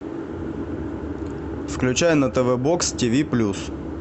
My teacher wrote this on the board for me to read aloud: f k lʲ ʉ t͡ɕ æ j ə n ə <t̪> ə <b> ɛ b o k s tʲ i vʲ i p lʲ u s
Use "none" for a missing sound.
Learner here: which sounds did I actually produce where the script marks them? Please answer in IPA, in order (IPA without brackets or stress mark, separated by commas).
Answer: t̪, v